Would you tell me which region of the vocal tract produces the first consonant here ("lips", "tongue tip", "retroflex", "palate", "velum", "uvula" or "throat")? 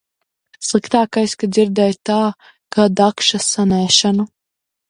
tongue tip